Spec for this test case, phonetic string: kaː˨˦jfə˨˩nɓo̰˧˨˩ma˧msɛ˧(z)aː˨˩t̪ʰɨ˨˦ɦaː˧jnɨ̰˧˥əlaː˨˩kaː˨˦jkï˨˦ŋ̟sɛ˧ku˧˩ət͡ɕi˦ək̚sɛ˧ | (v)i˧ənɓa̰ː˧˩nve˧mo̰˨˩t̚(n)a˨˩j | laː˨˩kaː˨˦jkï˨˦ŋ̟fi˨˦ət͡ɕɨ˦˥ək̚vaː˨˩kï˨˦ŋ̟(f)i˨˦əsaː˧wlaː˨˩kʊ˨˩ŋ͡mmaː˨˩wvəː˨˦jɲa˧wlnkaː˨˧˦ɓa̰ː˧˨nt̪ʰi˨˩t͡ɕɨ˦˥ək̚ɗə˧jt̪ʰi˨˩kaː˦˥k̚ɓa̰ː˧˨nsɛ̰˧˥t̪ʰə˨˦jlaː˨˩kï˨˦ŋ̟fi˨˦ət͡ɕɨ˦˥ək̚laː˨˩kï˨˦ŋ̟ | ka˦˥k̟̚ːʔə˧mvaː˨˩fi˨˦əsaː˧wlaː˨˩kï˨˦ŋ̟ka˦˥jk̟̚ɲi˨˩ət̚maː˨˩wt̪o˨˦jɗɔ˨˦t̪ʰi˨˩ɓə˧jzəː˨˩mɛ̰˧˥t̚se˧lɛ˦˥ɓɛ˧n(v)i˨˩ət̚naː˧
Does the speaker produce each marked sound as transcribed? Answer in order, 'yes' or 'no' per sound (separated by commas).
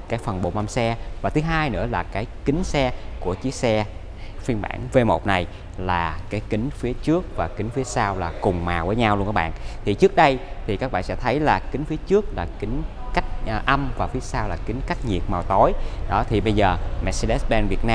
no, no, yes, yes, yes